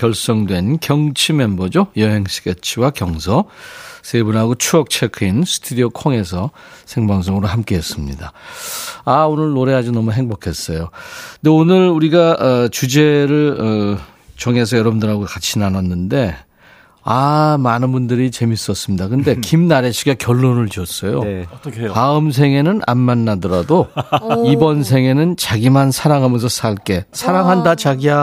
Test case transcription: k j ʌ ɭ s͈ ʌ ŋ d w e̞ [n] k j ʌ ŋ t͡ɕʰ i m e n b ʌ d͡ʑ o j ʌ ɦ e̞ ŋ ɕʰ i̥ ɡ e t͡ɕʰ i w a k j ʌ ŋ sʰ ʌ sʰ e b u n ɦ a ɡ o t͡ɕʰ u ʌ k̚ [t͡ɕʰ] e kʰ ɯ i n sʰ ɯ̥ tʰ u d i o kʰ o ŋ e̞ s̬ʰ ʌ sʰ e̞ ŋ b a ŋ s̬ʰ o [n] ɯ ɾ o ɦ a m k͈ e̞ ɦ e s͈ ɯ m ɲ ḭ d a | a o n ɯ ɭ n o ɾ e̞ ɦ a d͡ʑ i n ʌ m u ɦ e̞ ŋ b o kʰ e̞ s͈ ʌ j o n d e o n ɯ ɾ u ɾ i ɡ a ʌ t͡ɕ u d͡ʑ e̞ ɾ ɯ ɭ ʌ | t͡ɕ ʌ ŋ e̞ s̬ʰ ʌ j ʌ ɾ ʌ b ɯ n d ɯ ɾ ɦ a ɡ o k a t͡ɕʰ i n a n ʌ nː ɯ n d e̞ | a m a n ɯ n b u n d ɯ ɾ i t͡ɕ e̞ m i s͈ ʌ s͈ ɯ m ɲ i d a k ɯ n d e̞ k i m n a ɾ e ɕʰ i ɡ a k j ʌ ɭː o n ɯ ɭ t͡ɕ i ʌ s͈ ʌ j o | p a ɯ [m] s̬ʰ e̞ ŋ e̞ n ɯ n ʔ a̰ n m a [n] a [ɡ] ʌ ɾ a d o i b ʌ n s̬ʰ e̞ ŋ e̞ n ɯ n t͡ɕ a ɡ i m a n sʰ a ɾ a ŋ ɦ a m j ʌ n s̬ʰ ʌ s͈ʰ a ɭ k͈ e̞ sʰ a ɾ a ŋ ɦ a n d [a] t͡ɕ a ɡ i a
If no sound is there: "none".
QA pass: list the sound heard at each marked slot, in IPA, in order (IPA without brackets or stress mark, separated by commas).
n, t͡ɕʰ, ŋ, m, nː, d, a